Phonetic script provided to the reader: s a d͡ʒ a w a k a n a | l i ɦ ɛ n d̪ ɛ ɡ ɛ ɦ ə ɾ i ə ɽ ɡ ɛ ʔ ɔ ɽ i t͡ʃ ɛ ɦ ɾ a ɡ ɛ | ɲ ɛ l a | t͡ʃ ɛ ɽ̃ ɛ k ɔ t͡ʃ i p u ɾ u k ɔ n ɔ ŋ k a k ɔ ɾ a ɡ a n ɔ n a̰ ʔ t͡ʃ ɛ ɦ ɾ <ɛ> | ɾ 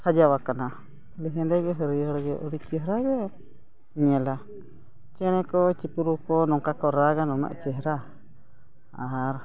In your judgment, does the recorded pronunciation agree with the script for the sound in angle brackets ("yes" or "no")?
no